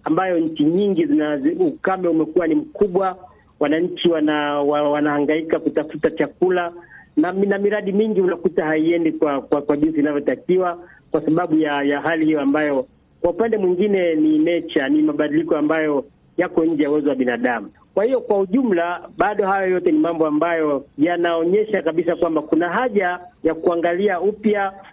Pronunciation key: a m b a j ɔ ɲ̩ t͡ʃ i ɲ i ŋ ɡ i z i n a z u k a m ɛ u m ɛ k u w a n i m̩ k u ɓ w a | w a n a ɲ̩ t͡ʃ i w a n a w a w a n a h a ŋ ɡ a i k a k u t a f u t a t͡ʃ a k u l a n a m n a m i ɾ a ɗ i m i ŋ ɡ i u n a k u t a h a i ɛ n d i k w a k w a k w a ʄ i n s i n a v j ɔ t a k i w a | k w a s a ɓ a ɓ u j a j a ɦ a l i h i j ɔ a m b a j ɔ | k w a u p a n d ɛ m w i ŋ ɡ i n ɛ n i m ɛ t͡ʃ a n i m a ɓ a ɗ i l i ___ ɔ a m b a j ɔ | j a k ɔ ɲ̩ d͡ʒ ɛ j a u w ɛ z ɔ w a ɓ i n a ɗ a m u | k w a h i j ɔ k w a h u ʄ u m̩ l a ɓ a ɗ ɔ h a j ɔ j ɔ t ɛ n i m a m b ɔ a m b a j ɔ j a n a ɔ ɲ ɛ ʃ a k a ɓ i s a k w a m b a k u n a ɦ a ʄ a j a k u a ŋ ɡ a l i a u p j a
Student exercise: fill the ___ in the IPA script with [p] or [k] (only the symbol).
k